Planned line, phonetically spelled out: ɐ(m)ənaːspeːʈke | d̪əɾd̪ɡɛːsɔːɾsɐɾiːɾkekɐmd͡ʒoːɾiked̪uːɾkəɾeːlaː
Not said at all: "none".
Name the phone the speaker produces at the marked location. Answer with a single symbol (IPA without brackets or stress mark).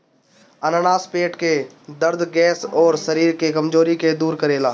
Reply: n